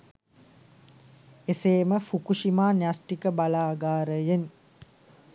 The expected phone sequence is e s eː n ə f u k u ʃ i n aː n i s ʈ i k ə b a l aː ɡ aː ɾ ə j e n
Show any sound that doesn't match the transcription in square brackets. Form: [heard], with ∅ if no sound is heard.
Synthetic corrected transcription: e s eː [m] ə f u k u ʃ i [m] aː n [a] s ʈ i k ə b a l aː ɡ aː ɾ ə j e n